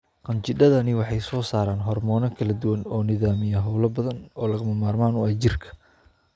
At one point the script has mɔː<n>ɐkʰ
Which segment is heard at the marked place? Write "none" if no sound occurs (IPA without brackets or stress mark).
n